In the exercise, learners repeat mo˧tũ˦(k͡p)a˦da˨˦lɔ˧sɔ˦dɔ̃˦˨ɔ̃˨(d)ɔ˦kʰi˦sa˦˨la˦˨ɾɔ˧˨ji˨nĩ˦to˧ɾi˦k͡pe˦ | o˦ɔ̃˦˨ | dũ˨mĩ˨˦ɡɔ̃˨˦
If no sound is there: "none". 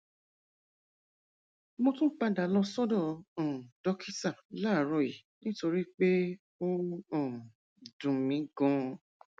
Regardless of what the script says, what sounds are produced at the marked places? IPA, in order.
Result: k͡p, d

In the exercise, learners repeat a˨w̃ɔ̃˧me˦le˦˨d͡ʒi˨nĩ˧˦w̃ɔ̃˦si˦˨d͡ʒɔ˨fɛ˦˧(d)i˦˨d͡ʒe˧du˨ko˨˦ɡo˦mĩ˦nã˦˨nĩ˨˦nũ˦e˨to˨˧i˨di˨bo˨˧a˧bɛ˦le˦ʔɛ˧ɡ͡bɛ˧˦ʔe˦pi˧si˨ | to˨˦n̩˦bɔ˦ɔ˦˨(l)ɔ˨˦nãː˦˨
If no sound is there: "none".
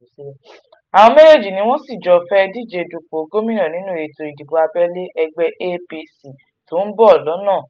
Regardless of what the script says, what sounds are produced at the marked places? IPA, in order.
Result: d, l

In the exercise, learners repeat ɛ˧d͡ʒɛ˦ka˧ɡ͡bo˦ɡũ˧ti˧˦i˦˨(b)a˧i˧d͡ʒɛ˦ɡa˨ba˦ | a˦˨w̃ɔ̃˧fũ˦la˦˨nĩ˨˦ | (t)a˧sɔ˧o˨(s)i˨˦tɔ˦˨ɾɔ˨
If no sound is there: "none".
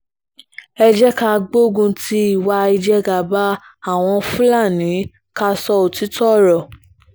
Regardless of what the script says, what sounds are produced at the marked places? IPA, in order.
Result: w, k, t

